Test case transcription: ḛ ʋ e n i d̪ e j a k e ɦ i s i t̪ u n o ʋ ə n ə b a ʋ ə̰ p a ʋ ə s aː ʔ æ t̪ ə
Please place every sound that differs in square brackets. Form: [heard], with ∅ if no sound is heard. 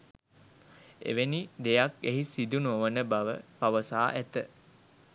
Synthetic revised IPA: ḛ ʋ e n i d̪ e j a k e ɦ i s i [d̪] u n o ʋ ə n ə b a ʋ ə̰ p a ʋ ə s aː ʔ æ t̪ ə